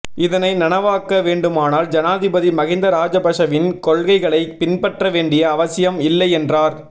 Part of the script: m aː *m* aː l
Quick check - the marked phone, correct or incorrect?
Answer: incorrect